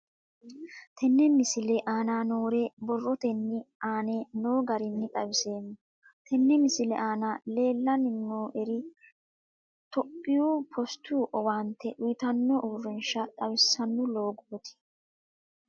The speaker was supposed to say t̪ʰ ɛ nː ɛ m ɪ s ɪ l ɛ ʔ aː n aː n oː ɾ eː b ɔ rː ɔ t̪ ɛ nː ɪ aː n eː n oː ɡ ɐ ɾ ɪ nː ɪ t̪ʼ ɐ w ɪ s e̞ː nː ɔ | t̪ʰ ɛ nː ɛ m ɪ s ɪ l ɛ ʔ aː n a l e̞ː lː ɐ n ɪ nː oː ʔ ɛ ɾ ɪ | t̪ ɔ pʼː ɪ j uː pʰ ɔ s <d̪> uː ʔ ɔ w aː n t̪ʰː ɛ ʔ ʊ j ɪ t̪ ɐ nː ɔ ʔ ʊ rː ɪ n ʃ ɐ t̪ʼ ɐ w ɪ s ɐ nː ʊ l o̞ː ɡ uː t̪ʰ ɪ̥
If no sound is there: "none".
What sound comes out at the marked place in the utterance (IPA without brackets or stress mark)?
t̪